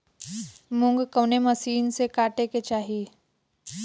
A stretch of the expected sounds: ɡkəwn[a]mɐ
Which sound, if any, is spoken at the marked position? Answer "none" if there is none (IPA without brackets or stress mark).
e